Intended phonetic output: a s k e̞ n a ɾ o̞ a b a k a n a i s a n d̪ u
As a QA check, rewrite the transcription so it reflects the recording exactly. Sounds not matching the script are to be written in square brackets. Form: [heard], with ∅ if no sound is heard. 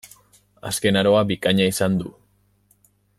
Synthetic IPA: a s k e̞ n a ɾ o̞ a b [i] k a [ɲ] a i s a n d̪ u